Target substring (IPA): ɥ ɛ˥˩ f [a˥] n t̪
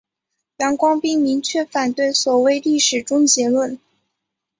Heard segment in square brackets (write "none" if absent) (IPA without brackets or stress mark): a˨˩